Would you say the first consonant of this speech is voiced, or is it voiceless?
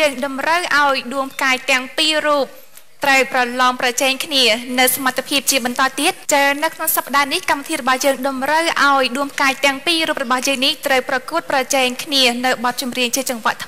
voiced